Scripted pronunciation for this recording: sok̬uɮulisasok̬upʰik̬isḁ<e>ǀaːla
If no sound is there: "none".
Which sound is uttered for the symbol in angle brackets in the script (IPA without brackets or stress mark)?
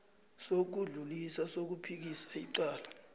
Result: i